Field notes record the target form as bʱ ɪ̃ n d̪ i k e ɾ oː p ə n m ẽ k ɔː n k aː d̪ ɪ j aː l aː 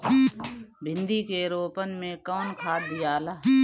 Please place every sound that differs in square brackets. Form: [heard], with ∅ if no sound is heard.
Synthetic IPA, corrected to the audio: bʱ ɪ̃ n d̪ i k e ɾ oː p ə n m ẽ k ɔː n [kʰ] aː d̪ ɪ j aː l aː